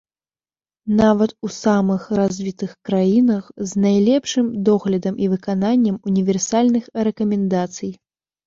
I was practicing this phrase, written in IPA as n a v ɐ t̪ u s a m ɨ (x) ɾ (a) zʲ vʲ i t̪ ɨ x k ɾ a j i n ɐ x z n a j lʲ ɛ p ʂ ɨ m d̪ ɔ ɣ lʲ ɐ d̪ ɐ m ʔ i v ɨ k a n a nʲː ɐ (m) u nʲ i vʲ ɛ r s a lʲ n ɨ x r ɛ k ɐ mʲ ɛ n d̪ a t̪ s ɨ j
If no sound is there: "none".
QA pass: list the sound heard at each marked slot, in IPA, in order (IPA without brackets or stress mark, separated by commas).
x, a, m